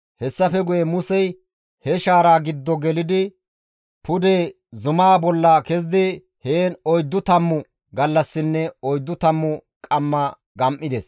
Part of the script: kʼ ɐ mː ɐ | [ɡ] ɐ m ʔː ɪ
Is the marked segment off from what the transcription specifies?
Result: no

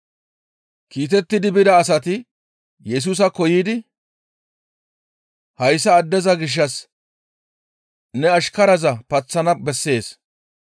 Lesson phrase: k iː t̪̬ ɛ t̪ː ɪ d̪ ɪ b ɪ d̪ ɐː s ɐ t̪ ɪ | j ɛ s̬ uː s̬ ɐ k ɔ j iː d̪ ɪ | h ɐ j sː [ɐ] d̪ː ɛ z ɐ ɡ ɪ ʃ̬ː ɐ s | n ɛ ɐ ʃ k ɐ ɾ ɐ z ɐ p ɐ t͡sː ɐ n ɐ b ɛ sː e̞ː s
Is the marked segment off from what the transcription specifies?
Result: yes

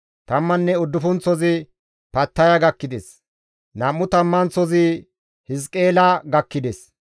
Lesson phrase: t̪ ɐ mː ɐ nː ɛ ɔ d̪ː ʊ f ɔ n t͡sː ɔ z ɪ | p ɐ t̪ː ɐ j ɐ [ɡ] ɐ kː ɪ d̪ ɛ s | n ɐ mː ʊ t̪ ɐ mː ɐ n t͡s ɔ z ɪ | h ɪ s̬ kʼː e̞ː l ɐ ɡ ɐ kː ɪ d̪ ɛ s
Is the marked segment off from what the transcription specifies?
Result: no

